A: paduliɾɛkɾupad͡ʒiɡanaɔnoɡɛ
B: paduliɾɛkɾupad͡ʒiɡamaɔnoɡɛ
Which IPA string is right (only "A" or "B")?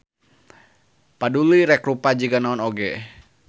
A